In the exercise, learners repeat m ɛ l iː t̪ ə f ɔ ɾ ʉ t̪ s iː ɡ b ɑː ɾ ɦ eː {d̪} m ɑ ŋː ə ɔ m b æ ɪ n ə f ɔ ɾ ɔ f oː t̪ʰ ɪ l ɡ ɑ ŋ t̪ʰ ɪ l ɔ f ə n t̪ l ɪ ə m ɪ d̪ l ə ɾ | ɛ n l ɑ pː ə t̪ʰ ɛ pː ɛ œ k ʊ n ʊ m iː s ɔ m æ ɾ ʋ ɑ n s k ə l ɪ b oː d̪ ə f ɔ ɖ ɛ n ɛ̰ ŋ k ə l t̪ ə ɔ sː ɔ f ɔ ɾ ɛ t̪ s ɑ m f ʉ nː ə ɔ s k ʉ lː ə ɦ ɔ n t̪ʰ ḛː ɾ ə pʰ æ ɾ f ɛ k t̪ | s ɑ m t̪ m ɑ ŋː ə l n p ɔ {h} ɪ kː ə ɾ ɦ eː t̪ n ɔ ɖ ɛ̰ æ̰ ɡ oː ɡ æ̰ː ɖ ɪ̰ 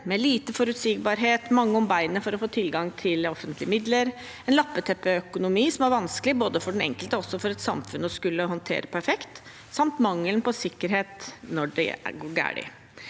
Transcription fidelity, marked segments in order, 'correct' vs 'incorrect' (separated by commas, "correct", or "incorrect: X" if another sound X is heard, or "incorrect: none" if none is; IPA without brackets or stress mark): incorrect: t̪, incorrect: s